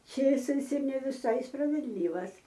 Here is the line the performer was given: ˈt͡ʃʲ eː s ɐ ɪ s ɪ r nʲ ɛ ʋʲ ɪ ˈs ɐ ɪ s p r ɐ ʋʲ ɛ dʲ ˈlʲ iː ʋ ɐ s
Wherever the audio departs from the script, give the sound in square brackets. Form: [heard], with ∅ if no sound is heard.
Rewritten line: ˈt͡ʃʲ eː s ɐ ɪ s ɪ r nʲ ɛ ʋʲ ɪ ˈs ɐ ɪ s p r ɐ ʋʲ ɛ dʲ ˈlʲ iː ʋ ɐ s